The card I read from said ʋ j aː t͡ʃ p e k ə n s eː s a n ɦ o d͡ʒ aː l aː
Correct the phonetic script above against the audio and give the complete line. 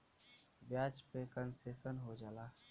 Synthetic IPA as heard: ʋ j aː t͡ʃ p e k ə n s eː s ə n ɦ o d͡ʒ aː l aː